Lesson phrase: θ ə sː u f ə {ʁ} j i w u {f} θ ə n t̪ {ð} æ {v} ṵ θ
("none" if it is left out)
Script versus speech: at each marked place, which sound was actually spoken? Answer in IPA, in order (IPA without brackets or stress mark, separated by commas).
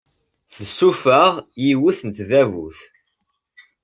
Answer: ʁ, none, ð, v